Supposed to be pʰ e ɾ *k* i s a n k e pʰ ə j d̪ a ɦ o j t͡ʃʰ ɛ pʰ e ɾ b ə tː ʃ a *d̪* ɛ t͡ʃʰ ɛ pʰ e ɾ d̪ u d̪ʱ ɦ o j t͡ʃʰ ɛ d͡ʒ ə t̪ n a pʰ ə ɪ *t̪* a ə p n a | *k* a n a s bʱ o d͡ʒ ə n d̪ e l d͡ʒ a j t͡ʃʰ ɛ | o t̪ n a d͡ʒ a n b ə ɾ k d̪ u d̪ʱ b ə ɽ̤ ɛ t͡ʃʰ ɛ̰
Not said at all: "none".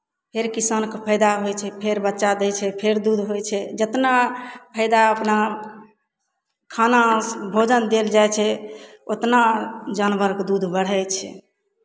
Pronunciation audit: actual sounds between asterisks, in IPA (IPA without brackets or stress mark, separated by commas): k, d̪, d̪, kʰ